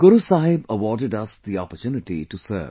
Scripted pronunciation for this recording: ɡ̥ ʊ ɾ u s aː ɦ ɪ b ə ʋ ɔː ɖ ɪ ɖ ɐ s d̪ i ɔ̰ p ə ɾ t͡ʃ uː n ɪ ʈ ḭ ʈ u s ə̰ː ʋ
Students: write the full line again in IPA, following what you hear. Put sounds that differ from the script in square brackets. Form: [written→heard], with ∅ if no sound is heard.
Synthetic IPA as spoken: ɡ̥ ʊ ɾ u s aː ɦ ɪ b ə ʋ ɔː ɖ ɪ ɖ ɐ s d̪ i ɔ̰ p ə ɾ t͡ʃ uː n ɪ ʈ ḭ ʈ u s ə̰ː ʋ